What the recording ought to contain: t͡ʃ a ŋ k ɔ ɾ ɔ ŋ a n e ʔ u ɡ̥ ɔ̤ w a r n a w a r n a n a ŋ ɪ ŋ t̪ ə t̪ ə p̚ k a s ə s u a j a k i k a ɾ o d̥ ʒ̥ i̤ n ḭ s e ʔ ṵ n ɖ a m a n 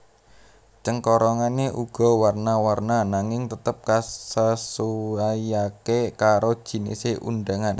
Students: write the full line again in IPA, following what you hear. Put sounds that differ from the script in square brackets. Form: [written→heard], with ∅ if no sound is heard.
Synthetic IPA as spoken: t͡ʃ [a→ə] ŋ k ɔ ɾ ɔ ŋ a n e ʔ u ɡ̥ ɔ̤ w a r n a w a r n a n a ŋ ɪ ŋ t̪ ə t̪ ə p̚ k a s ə s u a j a k [i→e] k a ɾ o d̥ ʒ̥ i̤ n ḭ s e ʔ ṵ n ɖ a [m→ŋ] a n